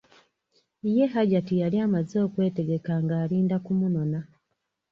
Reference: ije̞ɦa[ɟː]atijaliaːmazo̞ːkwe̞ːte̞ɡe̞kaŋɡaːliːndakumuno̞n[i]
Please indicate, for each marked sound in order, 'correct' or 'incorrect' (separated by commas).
incorrect, incorrect